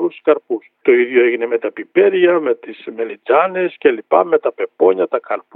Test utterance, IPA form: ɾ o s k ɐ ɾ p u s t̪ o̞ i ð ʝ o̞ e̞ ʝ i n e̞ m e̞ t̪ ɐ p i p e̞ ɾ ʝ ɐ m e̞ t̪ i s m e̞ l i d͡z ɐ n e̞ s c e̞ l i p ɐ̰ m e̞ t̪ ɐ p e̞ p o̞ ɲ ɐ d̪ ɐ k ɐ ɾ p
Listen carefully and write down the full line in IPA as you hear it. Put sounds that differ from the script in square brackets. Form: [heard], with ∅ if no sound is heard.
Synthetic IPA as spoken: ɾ [u] s k ɐ ɾ p u s t̪ o̞ i ð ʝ o̞ e̞ ʝ i n e̞ m e̞ t̪ ɐ p i p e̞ ɾ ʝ ɐ m e̞ t̪ i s m e̞ l i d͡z ɐ n e̞ s c e̞ l i p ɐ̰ m e̞ t̪ ɐ p e̞ p o̞ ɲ ɐ [t̪] ɐ k ɐ ɾ p